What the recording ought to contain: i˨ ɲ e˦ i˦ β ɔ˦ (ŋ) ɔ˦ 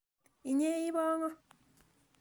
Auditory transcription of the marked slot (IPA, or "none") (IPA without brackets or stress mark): ŋ